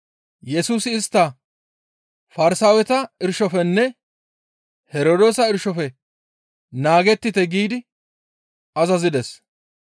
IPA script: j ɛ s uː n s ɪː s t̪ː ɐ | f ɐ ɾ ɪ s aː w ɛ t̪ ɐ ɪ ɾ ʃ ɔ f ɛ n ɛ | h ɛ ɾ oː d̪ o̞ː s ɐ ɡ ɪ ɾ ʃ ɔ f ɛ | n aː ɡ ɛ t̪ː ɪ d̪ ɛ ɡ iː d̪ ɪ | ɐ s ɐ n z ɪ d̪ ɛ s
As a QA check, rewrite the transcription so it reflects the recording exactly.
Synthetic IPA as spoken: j ɛ s uː s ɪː s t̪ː ɐ | f ɐ ɾ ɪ s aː w ɛ t̪ ɐ ɪ ɾ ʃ ɔ f ɛ nː ɛ | h ɛ ɾ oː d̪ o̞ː s ɐ ɪ ɾ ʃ ɔ f ɛ | n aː ɡ ɛ t̪ː ɪ t̪ ɛ ɡ iː d̪ ɪ | ɐ z ɐ z ɪ d̪ ɛ s

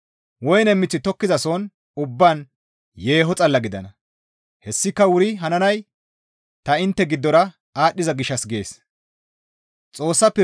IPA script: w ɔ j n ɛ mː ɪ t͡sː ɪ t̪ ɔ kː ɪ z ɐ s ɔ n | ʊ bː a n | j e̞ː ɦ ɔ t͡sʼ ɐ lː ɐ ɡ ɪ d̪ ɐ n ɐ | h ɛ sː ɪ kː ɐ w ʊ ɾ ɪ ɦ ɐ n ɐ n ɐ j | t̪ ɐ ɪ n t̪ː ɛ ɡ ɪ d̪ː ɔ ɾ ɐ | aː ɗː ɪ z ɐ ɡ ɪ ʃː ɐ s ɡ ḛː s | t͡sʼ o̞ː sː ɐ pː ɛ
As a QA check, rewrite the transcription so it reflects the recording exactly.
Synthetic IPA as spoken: w ɔ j n ɛ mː ɪ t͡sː ɪ t̪ ɔ kː ɪ z ɐ s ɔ n | ʊ bː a n | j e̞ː ɦ ɔ t͡sʼ ɐ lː ɐ ɡ ɪ d̪ ɐ n ɐ | h ɛ sː ɪ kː ɐ w ʊ ɾ ɪ ɦ ɐ n ɐ n ɐ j | t̪ ɐ ɪ n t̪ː ɛ ɡ ɪ d̪ː ɔ ɾ ɐ | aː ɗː ɪ z ɐ ɡ ɪ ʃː ɐ s ɡ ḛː s | t͡sʼ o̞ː sː ɐ pː ɛ

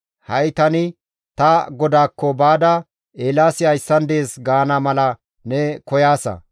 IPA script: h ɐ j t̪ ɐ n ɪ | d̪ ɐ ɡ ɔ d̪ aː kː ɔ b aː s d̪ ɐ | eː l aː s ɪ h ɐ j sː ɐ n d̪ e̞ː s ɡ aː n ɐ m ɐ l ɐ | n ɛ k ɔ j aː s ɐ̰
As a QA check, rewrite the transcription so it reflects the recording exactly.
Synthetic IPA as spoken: h ɐ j t̪ ɐ n ɪ | t̪ ɐ ɡ ɔ d̪ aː kː ɔ b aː d̪ ɐ | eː l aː s ɪ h ɐ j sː ɐ n d̪ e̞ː s ɡ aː n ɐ m ɐ l ɐ | n ɛ k ɔ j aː s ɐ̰

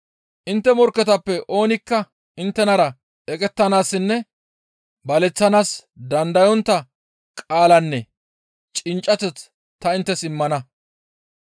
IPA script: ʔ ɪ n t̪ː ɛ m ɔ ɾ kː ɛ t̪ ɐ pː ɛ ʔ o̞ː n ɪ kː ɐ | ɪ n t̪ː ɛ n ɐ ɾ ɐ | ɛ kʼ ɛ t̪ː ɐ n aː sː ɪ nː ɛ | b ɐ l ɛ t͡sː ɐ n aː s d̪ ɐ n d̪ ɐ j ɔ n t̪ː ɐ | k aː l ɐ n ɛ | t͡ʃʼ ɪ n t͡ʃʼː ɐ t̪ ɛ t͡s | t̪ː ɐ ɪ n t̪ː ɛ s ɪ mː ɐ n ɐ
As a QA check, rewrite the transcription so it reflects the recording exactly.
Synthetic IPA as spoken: ʔ ɪ n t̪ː ɛ m ɔ ɾ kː ɛ t̪ ɐ pː ɛ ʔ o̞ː n ɪ kː ɐ | ɪ n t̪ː ɛ n ɐ ɾ ɐ | ɛ kʼ ɛ t̪ː ɐ n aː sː ɪ nː ɛ | b ɐ l ɛ t͡sː ɐ n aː s d̪ ɐ n d̪ ɐ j ɔ n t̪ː ɐ | kʼ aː l ɐ nː ɛ | t͡ʃʼ ɪ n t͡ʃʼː ɐ t̪ ɛ t͡s | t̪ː ɐ ɪ n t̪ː ɛ s ɪ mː ɐ n ɐ

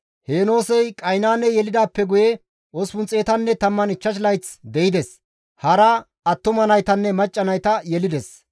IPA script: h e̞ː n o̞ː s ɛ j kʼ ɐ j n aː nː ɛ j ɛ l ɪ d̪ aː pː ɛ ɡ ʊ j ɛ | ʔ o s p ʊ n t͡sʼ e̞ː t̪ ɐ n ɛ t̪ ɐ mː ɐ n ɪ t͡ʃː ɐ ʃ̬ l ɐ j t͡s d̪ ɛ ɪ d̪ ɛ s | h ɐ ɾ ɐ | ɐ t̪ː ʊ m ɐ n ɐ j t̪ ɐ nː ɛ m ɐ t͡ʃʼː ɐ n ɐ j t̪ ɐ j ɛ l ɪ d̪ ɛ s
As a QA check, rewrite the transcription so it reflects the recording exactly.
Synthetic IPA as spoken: h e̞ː n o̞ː s ɛ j kʼ ɐ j n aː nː ɛ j ɛ l ɪ d̪ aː pː ɛ ɡ ʊ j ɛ | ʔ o s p ʊ n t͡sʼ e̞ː t̪ ɐ nː ɛ t̪ ɐ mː ɐ n ɪ t͡ʃː ɐ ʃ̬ l ɐ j t͡s d̪ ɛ ɪ d̪ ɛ s | h ɐ ɾ ɐ | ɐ t̪ː ʊ m ɐ n ɐ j t̪ ɐ nː ɛ m ɐ t͡ʃʼː ɐ n ɐ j t̪ ɐ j ɛ l ɪ d̪ ɛ s

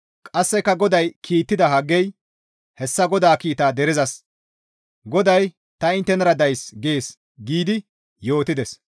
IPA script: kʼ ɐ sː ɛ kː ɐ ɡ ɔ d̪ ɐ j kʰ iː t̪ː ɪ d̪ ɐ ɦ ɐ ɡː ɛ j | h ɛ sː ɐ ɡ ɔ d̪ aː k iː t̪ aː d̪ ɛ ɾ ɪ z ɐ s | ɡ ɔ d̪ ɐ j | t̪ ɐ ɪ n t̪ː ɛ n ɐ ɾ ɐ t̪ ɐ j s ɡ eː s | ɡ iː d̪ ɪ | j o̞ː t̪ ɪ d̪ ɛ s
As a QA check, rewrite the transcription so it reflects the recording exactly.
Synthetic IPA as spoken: kʼ ɐ sː ɛ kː ɐ ɡ ɔ d̪ ɐ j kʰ iː t̪ː ɪ d̪ ɐ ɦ ɐ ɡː ɛ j | h ɛ sː ɐ ɡ ɔ d̪ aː k iː t̪ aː d̪ ɛ ɾ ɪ z ɐ s | ɡ ɔ d̪ ɐ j | t̪ ɐ ɪ n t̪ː ɛ n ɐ ɾ ɐ d̪ ɐ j s ɡ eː s | ɡ iː d̪ ɪ | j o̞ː t̪ ɪ d̪ ɛ s

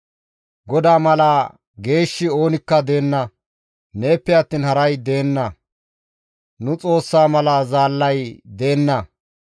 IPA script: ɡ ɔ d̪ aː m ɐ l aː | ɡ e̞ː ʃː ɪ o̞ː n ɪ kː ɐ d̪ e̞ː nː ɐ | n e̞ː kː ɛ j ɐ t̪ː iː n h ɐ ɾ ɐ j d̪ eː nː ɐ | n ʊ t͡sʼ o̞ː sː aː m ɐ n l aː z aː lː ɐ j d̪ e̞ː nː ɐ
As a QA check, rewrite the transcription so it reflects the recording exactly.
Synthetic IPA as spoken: ɡ ɔ d̪ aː m ɐ l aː | ɡ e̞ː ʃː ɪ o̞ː n ɪ kː ɐ d̪ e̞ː nː ɐ | n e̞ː pː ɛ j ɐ t̪ː iː n h ɐ ɾ ɐ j d̪ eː nː ɐ | n ʊ t͡sʼ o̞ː sː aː m ɐ l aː z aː lː ɐ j d̪ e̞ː nː ɐ

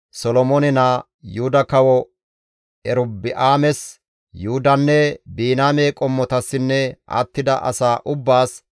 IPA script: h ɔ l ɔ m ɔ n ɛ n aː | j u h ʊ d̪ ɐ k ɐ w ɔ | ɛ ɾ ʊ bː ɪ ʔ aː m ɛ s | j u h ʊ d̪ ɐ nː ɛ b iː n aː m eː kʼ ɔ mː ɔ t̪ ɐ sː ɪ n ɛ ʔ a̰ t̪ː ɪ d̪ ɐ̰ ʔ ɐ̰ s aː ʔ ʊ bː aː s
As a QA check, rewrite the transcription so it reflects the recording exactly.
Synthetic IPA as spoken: s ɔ l ɔ m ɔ n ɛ n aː | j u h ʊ d̪ ɐ k ɐ w ɔ | ɛ ɾ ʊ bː ɪ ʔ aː m ɛ s | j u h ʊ d̪ ɐ nː ɛ b iː n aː m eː kʼ ɔ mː ɔ t̪ ɐ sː ɪ nː ɛ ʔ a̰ t̪ː ɪ d̪ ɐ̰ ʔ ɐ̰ s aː ʔ ʊ bː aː s

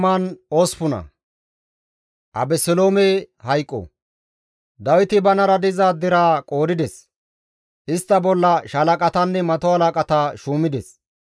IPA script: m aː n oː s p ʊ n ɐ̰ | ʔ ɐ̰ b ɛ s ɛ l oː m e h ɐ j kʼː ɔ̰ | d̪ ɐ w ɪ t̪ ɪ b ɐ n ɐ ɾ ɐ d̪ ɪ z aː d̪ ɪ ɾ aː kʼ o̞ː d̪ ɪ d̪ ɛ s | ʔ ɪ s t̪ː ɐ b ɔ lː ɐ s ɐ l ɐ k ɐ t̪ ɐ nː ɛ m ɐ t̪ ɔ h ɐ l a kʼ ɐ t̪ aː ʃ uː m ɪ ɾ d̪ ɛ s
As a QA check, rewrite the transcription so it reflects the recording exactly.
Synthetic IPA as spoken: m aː n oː s p ʊ n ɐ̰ | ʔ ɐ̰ b ɛ s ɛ l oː m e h ɐ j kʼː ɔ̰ | d̪ ɐ w ɪ t̪ ɪ b ɐ n ɐ ɾ ɐ d̪ ɪ z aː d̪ ɪ ɾ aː kʼ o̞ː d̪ ɪ d̪ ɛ s | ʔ ɪ s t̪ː ɐ b ɔ lː ɐ ʃ ɐ l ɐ kʼ ɐ t̪ ɐ nː ɛ m ɐ t̪ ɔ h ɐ l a kʼ ɐ t̪ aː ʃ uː m ɪ d̪ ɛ s

